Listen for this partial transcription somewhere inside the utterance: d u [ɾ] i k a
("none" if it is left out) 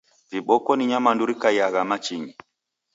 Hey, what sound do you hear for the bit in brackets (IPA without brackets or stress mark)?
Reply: ɾ